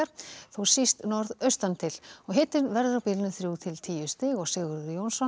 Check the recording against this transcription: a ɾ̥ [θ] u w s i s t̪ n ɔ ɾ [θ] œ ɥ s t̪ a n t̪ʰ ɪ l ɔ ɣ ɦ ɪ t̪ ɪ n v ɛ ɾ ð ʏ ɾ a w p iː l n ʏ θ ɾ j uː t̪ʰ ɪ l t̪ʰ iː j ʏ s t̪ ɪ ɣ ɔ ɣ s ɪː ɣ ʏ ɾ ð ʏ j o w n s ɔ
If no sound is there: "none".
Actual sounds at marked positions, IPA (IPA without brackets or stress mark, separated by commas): θ, ð